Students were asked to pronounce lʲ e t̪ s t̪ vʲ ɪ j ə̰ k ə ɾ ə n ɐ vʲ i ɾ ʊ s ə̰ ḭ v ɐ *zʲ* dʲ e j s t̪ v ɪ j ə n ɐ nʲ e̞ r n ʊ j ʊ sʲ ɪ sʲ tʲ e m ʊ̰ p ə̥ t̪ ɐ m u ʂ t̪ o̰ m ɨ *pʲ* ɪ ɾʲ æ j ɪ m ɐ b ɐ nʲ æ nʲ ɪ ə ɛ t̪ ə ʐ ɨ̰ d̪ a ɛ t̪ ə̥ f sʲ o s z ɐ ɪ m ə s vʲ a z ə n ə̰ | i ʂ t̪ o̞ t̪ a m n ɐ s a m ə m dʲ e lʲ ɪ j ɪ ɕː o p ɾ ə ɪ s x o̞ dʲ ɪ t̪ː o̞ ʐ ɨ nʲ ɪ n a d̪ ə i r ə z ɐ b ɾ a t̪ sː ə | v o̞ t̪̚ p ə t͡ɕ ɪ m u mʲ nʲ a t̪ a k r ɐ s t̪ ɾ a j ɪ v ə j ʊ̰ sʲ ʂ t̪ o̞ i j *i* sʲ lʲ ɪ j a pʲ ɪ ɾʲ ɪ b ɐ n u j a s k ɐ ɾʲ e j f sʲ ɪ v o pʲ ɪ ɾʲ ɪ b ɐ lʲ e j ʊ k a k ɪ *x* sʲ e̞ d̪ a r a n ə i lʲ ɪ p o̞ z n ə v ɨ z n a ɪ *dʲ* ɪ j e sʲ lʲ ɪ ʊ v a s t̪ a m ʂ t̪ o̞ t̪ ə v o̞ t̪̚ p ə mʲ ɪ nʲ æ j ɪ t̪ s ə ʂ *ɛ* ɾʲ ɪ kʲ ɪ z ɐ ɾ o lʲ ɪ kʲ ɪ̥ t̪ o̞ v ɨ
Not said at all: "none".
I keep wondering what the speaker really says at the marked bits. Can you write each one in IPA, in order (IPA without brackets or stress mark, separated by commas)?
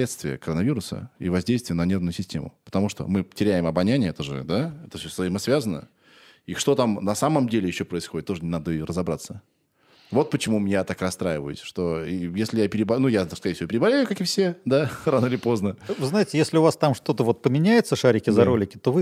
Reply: zʲ, tʲ, e, f, tʲ, a